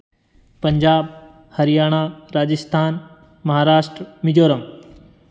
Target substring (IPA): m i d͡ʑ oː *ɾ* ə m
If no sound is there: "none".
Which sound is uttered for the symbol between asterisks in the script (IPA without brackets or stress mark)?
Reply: ɾ